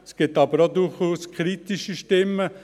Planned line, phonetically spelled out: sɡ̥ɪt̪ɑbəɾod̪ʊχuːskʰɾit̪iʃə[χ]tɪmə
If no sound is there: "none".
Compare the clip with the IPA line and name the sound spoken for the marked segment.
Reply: ʃ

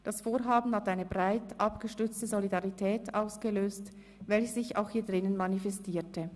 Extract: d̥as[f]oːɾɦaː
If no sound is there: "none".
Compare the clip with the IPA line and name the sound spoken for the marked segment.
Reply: f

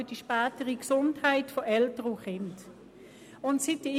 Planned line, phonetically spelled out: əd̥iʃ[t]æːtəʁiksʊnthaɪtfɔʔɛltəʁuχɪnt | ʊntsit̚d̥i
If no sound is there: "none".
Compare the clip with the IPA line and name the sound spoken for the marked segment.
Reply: p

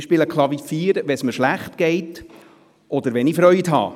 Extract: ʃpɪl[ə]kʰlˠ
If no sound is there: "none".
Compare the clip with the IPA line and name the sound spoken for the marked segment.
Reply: ə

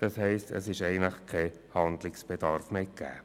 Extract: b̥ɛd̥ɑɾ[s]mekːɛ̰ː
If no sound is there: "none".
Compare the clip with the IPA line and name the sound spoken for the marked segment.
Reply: f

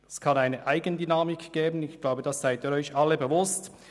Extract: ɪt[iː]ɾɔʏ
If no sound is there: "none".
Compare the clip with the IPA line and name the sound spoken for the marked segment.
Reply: iː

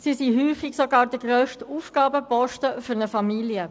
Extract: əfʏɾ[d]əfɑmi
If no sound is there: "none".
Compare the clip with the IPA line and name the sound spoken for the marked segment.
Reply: n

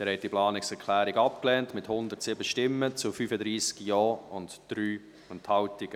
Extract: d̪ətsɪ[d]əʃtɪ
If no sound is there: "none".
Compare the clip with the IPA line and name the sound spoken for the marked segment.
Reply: b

